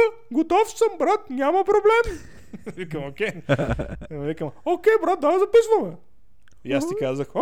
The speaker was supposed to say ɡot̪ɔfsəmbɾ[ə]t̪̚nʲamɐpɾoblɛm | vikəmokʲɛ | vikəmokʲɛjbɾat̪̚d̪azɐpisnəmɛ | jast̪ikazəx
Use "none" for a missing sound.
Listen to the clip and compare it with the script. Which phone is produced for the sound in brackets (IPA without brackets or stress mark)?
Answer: a